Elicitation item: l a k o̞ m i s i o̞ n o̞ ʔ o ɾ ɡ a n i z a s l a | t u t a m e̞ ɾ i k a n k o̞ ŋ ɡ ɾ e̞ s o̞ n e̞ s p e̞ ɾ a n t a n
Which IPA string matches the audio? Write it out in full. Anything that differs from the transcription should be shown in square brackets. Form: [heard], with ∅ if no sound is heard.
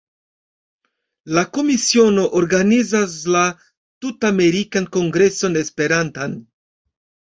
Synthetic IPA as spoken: l a k o̞ m i s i o̞ n o̞ ʔ o ɾ ɡ a n i z a s l a | t u t a m e̞ ɾ i k a n k o̞ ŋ ɡ ɾ e̞ s o̞ n e̞ s p e̞ ɾ a n t a n